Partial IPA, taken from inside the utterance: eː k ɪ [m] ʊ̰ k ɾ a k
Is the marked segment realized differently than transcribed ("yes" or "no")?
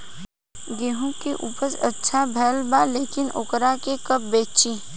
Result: yes